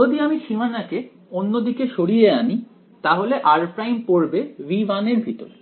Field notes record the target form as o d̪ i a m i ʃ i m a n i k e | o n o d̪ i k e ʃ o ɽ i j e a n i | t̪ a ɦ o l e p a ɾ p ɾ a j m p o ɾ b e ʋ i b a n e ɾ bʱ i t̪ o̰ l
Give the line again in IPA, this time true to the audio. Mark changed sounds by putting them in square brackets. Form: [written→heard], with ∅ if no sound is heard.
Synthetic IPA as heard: o d̪ i a m i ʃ i m a n [i→a] k e | o [n→nː] o d̪ i k e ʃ o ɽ i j e a n i | t̪ a ɦ o l e [p→ʔ] a ɾ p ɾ a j m p o ɾ b e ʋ i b a n e ɾ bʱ i t̪ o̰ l